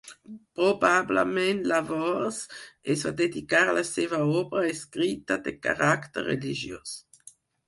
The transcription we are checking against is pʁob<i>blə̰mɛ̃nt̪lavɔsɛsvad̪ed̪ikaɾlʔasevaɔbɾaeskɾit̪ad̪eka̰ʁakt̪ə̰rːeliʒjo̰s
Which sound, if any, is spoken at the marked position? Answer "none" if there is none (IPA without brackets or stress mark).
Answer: a